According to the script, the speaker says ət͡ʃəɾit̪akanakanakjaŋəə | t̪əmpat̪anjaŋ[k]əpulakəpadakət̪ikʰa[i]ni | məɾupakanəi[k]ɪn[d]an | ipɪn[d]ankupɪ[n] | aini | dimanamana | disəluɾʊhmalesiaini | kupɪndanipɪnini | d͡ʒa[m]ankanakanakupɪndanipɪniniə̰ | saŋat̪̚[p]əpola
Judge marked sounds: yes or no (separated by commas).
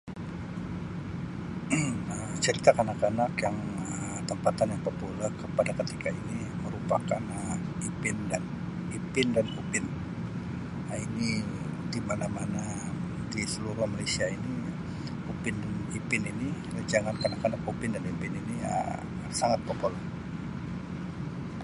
no, yes, no, yes, yes, yes, no, yes